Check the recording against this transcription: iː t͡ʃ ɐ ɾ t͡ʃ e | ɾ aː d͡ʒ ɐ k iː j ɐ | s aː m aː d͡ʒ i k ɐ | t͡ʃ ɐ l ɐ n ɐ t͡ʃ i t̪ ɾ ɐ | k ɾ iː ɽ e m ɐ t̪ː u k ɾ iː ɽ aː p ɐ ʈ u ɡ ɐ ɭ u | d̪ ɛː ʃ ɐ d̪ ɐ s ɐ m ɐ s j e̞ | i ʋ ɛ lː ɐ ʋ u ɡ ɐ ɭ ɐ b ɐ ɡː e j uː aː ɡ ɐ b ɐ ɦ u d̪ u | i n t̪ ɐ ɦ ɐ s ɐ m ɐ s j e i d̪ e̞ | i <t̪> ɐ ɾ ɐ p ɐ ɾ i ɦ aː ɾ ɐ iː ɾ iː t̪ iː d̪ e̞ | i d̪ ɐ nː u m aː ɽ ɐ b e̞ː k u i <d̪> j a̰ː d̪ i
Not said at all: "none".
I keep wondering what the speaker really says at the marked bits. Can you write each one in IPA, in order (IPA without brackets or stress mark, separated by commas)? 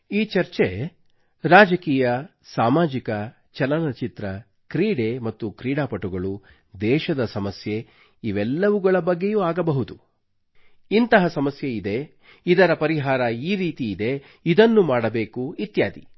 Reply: d̪, t̪